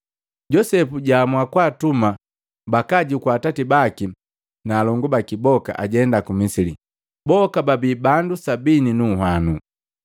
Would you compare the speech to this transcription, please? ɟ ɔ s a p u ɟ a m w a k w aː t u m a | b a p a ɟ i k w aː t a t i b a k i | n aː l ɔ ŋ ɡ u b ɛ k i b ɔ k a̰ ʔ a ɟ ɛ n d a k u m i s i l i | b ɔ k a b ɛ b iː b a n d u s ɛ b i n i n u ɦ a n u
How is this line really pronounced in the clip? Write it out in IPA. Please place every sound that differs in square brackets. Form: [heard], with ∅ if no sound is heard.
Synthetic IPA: ɟ ɔ s [ɛ] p u ɟ a m w a k w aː t u m a | b a [k] a ɟ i k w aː t a t i b a k i | n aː l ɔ ŋ ɡ u b [a] k i b ɔ k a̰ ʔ a ɟ ɛ n d a k u m i s i l i | b ɔ k a b [a] b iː b a n d u s [a] b i n i n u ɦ a n u